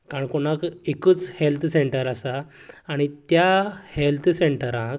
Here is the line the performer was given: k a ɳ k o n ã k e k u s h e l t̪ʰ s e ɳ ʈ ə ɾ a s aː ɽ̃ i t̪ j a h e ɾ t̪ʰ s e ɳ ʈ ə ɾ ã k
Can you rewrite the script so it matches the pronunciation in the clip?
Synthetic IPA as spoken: k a ɳ k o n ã k e k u t͡s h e l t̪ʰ s e ɳ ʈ ə ɾ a s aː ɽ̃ i t̪ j a h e l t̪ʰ s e ɳ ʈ ə ɾ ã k